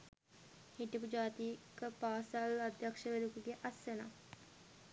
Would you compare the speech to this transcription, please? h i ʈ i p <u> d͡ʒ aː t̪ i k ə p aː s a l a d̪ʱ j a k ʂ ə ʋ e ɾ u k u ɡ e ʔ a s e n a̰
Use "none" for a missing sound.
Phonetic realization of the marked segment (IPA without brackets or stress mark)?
u